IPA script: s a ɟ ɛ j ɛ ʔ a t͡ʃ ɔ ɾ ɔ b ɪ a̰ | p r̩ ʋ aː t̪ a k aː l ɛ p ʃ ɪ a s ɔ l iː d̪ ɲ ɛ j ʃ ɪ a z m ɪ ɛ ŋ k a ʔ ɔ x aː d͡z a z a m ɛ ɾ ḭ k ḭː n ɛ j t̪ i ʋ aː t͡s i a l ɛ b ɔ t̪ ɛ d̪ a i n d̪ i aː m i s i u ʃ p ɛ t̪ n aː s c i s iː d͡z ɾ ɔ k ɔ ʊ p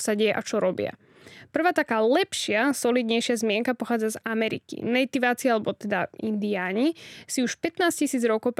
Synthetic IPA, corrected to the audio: s a ɟ ɛ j ɛ ʔ a t͡ʃ ɔ ɾ ɔ b ɪ a̰ | p r̩ ʋ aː t̪ a k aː l ɛ p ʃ ɪ a s ɔ l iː d̪ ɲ ɛ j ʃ ɪ a z m ɪ ɛ ŋ k a p ɔ x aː d͡z a z a m ɛ ɾ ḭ k ḭ n ɛ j t̪ i ʋ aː t͡s i a l ɛ b ɔ t̪ ɛ d̪ a i n d̪ i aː ɲ i s i u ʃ p ɛ t̪ n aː s c i s iː d͡z ɾ ɔ k ɔ ʊ p